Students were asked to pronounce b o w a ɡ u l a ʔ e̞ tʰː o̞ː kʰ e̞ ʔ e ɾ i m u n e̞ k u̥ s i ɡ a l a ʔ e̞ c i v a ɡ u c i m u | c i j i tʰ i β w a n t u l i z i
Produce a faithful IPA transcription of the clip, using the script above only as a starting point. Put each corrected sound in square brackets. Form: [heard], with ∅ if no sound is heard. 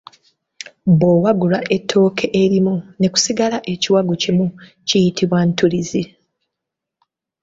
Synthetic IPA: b o w a ɡ u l a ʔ e̞ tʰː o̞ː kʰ e̞ ʔ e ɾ i m u n e̞ k u̥ s i ɡ a l a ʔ e̞ c i [w] a ɡ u c i m u | c i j i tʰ i β w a n t u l i z i

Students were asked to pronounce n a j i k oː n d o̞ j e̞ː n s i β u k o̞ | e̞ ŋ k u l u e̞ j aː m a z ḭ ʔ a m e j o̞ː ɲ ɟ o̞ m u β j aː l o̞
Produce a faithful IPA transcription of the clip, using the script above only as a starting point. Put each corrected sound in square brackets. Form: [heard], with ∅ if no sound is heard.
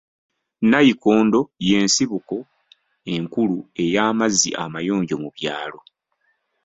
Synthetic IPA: n a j i k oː n d o̞ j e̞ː n s i β u k o̞ | e̞ ŋ k u l u e̞ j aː m a z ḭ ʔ a m [a] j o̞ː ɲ ɟ o̞ m u β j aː l o̞

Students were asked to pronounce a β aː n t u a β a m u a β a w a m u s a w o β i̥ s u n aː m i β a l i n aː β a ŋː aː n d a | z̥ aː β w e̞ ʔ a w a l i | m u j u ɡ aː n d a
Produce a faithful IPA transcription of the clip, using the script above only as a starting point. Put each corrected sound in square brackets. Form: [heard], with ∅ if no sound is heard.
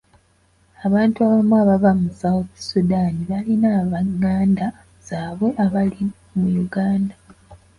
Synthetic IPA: a β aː n t u a β a m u a β a [v] a m u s a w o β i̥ s u [d] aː [n] i β a l i n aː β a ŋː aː n d a | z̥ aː β w e̞ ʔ a [β] a l i | m u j u ɡ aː n d a

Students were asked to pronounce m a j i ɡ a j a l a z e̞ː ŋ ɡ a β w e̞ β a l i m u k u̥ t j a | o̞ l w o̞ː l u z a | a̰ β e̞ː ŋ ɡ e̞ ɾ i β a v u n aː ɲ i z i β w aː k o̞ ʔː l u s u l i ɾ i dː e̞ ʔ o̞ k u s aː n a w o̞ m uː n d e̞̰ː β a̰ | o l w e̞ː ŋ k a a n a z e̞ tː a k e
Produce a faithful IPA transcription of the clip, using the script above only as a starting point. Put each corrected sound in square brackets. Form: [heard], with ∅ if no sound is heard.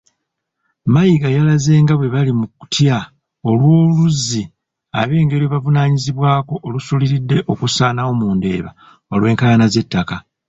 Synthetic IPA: m a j i ɡ a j a l a z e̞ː ŋ ɡ a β w e̞ β a l i m u k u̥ t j a | o̞ l w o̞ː l u z [i] | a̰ β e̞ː ŋ ɡ e̞ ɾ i β a v u n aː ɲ i z i β w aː k o̞ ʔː l u s u l i ɾ i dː e̞ ʔ o̞ k u s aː n a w o̞ m uː n d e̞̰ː β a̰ | o l w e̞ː ŋ k a a n a z e̞ tː a k [a]

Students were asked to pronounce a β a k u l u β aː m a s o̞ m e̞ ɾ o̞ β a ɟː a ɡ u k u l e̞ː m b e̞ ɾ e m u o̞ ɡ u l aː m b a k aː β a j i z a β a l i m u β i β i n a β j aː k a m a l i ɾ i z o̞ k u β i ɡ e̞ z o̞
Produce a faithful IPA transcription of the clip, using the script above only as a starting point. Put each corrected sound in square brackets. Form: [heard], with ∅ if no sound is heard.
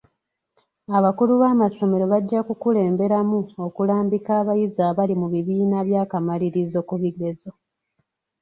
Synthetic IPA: a β a k u l u β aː m a s o̞ m e̞ ɾ o̞ β a ɟː a [k] u k u l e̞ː m b e̞ ɾ [a] m u o̞ [k] u l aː m b [i] k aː β a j i z a β a l i m u β i β [iː] n a β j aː k a m a l i ɾ i z o̞ k u β i ɡ e̞ z o̞

